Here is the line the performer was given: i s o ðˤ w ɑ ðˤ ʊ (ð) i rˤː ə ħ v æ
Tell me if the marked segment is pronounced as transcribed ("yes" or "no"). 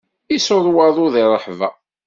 yes